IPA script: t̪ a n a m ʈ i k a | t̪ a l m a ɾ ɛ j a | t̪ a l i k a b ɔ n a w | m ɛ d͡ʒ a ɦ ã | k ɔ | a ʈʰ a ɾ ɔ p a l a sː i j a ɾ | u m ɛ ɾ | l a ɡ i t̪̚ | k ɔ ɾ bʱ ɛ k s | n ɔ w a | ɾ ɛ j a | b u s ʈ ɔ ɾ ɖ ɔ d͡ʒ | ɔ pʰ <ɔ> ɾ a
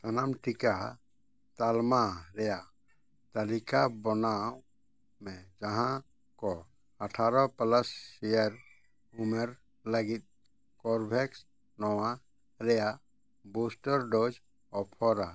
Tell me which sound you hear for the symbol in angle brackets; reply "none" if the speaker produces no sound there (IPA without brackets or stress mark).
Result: ɔ